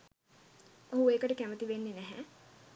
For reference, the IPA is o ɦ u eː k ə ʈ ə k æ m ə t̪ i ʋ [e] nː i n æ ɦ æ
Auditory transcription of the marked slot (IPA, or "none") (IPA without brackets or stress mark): e